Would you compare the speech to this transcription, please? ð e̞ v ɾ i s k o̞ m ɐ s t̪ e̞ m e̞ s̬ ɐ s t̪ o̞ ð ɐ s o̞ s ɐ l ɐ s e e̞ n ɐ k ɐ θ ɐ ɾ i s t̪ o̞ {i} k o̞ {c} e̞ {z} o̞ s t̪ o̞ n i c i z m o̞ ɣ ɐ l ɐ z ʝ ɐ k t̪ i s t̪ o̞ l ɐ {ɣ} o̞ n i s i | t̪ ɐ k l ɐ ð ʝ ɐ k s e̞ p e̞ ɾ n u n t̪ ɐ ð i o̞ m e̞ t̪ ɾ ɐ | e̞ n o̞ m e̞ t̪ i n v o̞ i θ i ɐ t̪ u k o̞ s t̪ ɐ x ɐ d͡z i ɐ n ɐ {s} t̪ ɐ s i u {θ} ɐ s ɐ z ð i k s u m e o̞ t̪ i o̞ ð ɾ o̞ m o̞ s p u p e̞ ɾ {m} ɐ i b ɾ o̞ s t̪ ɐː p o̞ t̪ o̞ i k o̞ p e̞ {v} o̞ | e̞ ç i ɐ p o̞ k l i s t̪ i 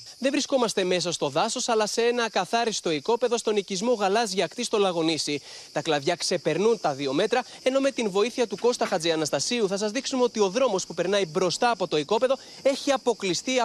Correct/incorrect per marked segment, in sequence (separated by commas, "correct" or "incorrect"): correct, incorrect, incorrect, correct, correct, correct, incorrect, incorrect